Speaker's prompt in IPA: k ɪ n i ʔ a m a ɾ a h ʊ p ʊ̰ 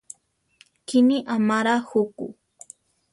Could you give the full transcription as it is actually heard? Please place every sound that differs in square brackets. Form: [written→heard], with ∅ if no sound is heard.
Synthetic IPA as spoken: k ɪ n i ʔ a m a ɾ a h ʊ [p→k] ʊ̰

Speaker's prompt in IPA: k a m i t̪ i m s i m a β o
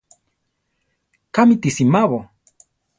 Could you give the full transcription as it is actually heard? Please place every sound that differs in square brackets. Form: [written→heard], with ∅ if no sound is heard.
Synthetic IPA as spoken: k a m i t̪ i [m→∅] s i m a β o

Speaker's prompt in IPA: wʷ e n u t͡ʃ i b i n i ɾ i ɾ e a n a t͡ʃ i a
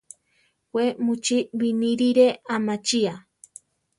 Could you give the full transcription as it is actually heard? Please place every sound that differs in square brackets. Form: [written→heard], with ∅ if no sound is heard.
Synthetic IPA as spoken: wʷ e [n→m] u t͡ʃ i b i n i ɾ i ɾ e a [n→m] a t͡ʃ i a

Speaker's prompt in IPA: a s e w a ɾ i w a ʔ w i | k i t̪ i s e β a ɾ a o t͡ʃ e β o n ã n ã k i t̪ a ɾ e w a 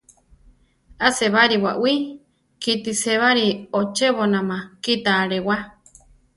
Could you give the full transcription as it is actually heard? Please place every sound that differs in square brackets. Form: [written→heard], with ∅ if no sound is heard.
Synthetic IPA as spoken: a s e [w→β] a ɾ i w a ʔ w i | k i t̪ i s e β a ɾ [a→i] o t͡ʃ e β o n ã [n→m] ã k i t̪ a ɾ e w a

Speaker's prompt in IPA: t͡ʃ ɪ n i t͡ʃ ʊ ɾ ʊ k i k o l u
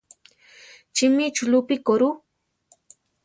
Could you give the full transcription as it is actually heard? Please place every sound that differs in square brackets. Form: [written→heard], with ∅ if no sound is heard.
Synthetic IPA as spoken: t͡ʃ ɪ [n→m] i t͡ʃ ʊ [ɾ→l] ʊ [k→p] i k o [l→ɾ] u

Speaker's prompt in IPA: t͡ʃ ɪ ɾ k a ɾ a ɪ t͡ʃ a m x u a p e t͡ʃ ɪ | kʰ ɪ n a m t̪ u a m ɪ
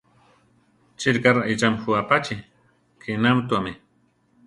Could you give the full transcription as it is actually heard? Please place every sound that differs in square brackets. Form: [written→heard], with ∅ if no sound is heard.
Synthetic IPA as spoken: t͡ʃ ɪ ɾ k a ɾ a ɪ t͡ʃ a m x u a p [e→a] t͡ʃ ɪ | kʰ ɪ n a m t̪ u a m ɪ

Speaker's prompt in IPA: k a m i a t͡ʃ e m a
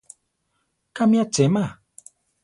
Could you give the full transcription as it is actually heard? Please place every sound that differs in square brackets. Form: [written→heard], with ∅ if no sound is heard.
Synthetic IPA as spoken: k a m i a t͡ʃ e m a

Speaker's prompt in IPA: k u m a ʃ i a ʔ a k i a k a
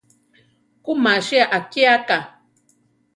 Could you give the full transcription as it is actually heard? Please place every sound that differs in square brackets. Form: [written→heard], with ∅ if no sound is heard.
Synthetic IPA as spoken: k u m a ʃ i a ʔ a k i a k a

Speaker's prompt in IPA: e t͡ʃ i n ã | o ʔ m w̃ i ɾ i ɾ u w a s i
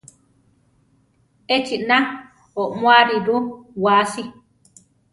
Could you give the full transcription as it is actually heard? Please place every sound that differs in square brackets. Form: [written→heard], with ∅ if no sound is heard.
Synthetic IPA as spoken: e t͡ʃ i n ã | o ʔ m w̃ [i→a] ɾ i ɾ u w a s i

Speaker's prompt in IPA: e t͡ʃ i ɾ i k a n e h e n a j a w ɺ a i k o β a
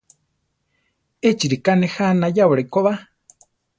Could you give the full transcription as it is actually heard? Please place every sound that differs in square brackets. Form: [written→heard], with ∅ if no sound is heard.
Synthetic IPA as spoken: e t͡ʃ i ɾ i k a n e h [e→a] n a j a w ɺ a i k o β a

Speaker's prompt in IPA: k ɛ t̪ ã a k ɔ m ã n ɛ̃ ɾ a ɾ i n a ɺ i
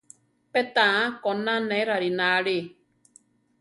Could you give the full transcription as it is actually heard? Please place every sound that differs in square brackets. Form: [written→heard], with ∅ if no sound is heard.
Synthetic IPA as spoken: [k→p] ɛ t̪ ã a k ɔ [m→n] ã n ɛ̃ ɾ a ɾ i n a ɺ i

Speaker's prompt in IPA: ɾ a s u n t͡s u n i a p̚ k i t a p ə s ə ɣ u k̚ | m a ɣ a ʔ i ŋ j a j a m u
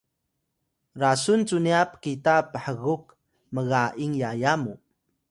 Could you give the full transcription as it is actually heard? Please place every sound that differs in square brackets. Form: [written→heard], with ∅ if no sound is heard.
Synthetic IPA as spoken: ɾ a s u n t͡s u n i a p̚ k i t a p ə [s→ħ] ə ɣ u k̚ | m [a→ə] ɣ a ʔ i ŋ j a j a m u

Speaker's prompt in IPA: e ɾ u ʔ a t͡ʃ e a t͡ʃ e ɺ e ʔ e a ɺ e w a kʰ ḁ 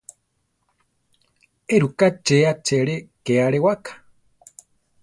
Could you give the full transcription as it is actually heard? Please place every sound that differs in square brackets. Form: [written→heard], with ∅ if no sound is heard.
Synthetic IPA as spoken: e ɾ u [ʔ→k] a t͡ʃ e a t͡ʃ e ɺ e [ʔ→k] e a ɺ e w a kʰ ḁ

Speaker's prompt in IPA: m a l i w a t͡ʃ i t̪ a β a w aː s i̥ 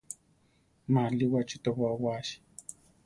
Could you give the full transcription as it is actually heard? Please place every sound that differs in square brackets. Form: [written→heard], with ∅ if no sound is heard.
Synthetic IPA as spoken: m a l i w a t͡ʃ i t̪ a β a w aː [s→ʃ] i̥

